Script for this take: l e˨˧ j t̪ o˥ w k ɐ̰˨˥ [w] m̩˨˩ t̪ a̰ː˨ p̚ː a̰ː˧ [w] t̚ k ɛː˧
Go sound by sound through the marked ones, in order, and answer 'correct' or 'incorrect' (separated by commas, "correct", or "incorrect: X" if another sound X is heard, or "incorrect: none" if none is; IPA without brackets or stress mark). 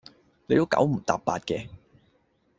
correct, incorrect: none